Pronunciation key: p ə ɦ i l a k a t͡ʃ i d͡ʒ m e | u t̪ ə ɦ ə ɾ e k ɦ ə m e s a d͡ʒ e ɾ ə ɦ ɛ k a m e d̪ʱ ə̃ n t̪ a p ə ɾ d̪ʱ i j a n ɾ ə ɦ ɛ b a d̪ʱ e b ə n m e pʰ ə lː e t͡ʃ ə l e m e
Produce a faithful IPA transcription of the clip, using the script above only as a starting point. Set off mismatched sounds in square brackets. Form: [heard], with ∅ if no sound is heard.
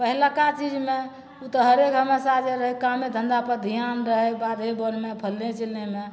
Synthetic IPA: p ə ɦ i l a k a t͡ʃ i d͡ʒ m e | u t̪ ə ɦ ə ɾ e k ɦ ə m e s a d͡ʒ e ɾ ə ɦ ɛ k a m e d̪ʱ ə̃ n [d̪] a p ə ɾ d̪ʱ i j a n ɾ ə ɦ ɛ b a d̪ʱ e b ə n m e pʰ ə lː e t͡ʃ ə l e m e